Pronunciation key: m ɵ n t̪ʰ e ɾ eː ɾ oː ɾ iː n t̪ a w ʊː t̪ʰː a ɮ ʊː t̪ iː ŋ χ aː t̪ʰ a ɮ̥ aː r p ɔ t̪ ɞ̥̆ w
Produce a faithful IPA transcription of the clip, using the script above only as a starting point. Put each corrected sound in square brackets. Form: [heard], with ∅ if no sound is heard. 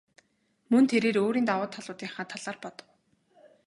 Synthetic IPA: m ɵ n t̪ʰ e ɾ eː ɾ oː ɾ iː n t̪ a w ʊː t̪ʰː a ɮ ʊː t̪ iː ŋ χ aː t̪ʰ a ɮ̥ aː r p ɔ t̪ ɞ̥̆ w